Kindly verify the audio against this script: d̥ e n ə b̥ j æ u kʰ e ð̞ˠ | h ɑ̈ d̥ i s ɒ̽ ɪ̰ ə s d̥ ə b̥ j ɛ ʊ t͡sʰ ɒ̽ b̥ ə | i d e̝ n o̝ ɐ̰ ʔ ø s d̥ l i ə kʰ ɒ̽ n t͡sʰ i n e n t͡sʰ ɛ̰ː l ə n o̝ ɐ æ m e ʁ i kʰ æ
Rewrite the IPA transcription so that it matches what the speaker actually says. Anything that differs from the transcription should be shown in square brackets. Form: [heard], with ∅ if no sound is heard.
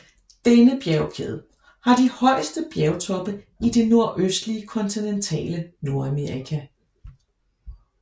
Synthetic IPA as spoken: d̥ e n ə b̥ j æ [ʊ] kʰ e ð̞ˠ | h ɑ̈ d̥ i [h] ɒ̽ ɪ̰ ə s d̥ ə b̥ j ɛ ʊ t͡sʰ ɒ̽ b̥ ə | i d e̝ n o̝ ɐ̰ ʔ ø s d̥ l i ə kʰ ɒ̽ n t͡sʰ i n e n t͡sʰ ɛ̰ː l ə n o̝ ɐ æ m e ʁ i kʰ æ